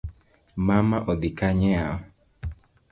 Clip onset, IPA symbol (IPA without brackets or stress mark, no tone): m